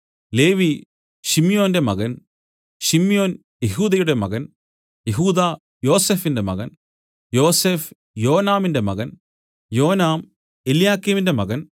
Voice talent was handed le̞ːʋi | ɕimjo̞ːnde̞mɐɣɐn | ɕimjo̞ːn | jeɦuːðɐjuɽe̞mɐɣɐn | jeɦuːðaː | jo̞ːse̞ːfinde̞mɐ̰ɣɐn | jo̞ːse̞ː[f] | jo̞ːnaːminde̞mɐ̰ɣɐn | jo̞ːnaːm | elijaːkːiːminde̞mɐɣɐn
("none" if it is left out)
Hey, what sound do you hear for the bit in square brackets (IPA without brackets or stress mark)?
f